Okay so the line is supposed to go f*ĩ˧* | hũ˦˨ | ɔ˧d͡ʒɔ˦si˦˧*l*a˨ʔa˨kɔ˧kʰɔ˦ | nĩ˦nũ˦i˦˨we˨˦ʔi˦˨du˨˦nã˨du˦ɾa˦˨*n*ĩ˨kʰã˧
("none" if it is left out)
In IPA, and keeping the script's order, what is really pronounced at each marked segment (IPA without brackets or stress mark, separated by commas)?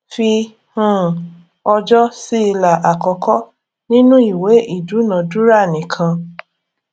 i˧, l, n